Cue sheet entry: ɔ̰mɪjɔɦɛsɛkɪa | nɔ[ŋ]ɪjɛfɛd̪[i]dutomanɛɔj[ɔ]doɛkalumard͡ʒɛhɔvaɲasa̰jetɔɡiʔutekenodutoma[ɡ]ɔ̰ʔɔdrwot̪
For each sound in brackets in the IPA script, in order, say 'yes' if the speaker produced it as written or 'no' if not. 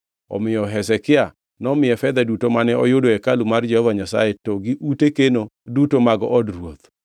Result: no, no, no, yes

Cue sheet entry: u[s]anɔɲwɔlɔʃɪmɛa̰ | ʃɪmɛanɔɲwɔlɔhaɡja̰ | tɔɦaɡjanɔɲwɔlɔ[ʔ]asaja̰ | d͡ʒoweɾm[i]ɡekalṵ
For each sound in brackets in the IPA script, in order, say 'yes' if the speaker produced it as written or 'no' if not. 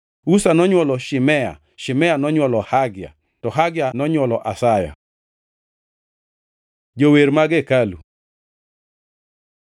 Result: yes, yes, no

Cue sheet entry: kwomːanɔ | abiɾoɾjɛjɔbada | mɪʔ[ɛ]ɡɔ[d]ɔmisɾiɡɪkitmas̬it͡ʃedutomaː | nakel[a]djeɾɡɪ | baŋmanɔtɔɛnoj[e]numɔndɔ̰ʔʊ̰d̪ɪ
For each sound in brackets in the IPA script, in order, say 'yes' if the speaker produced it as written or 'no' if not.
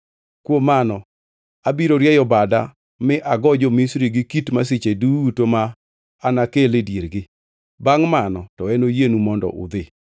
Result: no, no, no, yes

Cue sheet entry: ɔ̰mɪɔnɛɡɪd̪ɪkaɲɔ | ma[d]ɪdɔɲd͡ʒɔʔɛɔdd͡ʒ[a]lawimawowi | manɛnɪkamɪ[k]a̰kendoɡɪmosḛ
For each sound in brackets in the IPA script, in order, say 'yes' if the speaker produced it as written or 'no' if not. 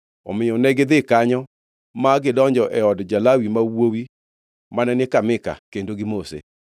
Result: no, yes, yes

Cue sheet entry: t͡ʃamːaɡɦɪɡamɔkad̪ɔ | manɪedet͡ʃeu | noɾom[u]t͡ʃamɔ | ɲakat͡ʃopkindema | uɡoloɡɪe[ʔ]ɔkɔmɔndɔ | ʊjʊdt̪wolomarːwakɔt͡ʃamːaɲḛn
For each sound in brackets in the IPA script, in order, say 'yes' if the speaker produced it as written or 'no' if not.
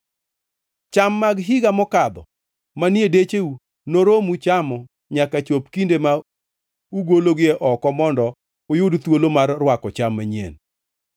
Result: yes, yes

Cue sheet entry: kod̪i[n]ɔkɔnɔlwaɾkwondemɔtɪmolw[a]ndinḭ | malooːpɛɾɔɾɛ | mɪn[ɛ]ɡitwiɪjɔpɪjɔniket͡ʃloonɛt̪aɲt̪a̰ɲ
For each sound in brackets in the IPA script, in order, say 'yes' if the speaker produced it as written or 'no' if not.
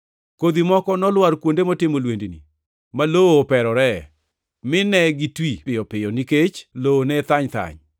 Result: no, no, yes

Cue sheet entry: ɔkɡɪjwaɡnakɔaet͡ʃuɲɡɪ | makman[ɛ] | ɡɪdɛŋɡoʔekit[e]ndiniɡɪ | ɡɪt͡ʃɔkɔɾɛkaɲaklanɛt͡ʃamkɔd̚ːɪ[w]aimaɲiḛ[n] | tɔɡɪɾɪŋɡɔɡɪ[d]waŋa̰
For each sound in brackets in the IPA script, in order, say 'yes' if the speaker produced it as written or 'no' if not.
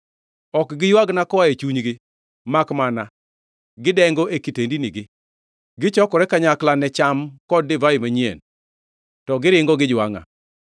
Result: no, yes, no, yes, no

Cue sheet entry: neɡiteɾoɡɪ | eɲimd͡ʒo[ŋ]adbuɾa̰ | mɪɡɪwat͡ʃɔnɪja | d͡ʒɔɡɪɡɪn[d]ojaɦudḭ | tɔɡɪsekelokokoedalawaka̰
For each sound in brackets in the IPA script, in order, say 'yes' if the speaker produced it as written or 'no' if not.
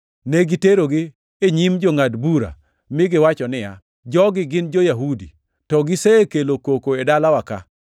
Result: yes, no

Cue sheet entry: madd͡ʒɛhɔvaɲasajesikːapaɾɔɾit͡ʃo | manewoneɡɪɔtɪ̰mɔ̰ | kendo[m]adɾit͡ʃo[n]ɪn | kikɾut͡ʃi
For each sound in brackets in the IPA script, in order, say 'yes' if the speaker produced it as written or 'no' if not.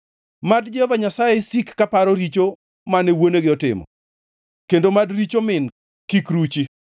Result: yes, no

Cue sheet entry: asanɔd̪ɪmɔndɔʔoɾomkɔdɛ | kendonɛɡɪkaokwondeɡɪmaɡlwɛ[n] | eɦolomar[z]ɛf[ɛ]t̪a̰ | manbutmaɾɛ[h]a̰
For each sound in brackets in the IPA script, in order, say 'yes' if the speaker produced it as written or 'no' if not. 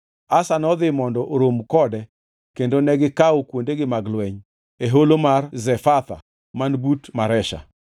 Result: no, yes, no, no

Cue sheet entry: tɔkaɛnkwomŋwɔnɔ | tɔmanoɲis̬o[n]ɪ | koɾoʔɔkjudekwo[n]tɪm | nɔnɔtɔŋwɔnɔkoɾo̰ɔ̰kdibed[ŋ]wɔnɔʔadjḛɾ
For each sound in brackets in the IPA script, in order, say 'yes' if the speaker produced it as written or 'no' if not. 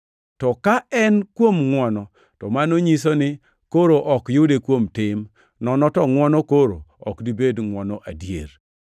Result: yes, no, yes

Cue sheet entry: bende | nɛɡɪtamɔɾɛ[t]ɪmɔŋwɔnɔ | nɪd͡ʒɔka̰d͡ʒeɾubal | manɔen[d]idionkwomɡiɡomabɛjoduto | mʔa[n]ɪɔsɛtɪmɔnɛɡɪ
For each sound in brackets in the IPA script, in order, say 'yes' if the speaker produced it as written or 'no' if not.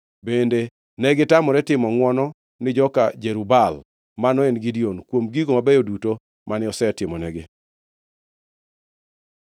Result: yes, no, yes

